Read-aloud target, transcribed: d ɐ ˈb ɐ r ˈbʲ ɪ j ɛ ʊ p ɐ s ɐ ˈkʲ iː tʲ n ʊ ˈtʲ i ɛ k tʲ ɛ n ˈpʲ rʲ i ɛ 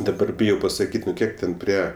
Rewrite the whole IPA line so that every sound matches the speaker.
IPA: d ɐ ˈb ɐ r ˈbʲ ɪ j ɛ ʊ p ɐ s ɐ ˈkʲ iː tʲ n ʊ ˈkʲ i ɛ k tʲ ɛ n ˈpʲ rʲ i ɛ